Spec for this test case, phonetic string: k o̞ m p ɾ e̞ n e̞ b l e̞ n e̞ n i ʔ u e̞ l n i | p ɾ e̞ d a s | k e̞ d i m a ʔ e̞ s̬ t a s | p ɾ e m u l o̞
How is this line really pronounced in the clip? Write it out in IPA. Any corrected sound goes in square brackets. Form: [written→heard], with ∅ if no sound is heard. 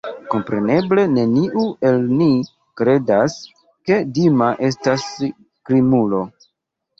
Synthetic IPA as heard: k o̞ m p ɾ e̞ n e̞ b l e̞ n e̞ n i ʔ u e̞ l n i | [p→k] ɾ e̞ d a s | k e̞ d i m a ʔ e̞ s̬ t a s | [p→k] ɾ [e→i] m u l o̞